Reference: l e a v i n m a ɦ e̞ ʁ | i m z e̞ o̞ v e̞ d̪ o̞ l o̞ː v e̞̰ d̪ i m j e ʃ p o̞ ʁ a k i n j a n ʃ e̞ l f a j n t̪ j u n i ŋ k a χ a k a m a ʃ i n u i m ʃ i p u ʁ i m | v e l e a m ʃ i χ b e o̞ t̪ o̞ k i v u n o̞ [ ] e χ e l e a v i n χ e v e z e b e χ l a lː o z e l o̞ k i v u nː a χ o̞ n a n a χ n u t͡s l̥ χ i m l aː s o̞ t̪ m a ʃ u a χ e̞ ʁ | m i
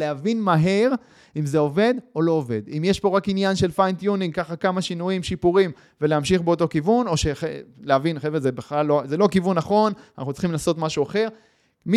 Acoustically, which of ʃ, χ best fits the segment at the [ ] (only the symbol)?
ʃ